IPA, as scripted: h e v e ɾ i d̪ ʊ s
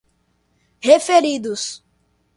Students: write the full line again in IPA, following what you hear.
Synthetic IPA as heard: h e f e ɾ i d̪ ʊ s